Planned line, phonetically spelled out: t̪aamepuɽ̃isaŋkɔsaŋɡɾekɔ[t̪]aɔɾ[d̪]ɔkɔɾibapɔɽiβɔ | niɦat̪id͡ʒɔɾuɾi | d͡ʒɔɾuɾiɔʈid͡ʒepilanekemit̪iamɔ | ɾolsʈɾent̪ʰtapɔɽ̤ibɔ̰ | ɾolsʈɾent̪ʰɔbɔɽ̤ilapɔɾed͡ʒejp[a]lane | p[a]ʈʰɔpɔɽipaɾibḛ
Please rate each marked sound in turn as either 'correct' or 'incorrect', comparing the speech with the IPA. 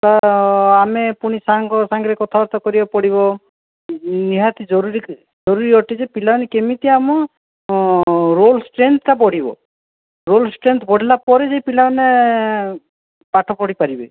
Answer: incorrect, incorrect, incorrect, correct

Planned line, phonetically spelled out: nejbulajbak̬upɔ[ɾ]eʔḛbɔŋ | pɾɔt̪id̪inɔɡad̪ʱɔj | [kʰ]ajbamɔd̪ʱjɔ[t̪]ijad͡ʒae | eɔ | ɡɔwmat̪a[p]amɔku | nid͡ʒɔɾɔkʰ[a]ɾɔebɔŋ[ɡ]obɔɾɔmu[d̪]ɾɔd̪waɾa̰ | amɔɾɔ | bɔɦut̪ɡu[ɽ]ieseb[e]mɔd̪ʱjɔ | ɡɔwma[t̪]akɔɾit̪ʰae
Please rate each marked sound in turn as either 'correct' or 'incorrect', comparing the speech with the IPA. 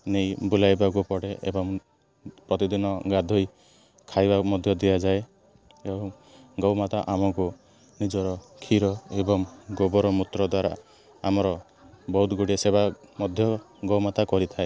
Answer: incorrect, correct, incorrect, incorrect, incorrect, correct, incorrect, correct, incorrect, correct

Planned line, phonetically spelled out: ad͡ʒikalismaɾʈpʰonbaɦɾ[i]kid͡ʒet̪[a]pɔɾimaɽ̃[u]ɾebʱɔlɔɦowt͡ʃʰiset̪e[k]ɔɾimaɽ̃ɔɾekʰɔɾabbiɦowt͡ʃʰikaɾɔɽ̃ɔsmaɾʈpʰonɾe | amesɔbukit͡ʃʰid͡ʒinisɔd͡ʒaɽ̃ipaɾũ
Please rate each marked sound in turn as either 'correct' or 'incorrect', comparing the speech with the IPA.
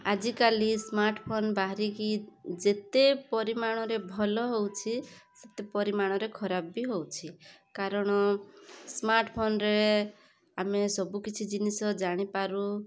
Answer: correct, incorrect, incorrect, incorrect

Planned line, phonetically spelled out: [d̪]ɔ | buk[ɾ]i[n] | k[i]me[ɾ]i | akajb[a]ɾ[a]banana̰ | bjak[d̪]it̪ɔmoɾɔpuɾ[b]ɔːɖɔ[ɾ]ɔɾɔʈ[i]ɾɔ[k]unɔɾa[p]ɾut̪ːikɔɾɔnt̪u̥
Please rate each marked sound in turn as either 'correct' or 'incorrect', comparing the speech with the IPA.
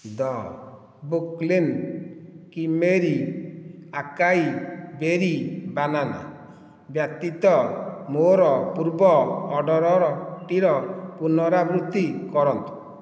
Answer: correct, incorrect, correct, correct, correct, incorrect, incorrect, incorrect, correct, correct, correct, incorrect, incorrect

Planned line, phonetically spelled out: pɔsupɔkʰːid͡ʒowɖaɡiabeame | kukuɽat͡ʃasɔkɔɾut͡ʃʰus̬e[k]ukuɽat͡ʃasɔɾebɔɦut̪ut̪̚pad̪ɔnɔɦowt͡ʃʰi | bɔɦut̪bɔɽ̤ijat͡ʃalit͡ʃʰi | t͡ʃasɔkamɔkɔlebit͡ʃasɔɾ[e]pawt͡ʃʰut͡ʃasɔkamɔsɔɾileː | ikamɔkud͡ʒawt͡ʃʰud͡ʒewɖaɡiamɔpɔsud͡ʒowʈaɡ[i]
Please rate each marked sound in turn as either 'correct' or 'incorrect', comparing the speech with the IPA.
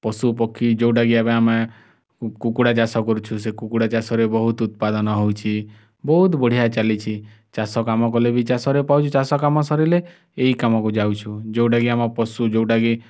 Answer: correct, correct, correct

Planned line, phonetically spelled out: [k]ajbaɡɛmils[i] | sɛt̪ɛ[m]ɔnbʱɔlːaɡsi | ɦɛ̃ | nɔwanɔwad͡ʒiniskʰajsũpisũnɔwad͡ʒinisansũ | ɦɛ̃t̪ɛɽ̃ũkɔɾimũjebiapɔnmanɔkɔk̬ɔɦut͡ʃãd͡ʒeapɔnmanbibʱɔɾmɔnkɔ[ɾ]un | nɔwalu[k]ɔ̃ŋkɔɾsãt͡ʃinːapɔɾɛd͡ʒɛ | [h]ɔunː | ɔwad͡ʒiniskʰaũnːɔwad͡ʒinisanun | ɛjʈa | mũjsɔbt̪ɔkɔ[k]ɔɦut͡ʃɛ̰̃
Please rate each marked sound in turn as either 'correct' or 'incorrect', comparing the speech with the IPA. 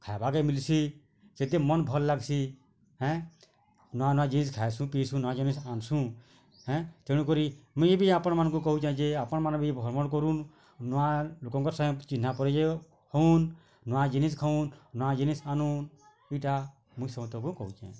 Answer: incorrect, correct, correct, correct, correct, correct, correct

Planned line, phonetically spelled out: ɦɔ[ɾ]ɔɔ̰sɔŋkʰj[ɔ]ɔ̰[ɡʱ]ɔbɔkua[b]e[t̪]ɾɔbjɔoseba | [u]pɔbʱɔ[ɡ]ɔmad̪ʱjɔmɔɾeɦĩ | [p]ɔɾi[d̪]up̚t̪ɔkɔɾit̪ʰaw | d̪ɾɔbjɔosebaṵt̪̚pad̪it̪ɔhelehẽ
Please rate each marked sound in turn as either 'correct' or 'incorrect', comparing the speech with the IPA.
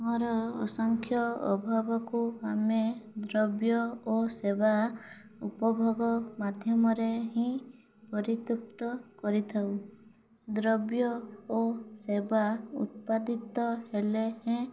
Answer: correct, correct, incorrect, incorrect, incorrect, correct, correct, correct, incorrect

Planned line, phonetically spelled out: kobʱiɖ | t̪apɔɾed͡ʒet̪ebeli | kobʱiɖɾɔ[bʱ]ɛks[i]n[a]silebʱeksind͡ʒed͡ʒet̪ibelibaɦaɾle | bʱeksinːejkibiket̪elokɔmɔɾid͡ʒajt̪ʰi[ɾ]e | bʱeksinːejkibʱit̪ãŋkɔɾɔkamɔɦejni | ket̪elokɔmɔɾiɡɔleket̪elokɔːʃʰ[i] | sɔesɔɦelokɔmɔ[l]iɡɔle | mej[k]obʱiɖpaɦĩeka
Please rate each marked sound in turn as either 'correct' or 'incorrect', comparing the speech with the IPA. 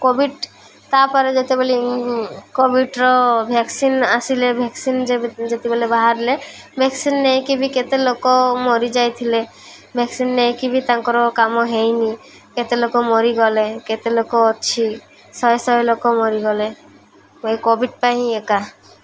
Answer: correct, correct, correct, incorrect, correct, incorrect, correct

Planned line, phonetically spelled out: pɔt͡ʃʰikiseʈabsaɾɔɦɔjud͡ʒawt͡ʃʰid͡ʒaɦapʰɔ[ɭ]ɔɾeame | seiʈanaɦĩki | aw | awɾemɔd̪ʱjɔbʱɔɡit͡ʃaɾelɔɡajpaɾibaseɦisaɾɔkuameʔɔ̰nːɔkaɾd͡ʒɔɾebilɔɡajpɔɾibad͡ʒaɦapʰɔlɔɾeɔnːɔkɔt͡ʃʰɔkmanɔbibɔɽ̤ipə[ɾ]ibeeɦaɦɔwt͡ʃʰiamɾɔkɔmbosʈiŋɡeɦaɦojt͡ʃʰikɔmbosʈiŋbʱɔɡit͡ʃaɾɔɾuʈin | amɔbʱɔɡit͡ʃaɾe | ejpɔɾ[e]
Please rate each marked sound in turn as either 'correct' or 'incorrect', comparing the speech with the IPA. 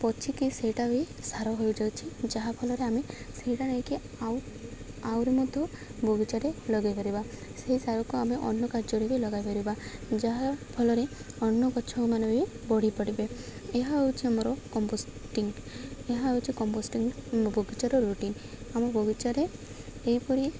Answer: incorrect, incorrect, incorrect

